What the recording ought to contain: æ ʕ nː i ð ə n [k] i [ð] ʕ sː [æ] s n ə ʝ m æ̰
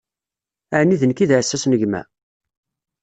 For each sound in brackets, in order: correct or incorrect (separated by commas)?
correct, correct, correct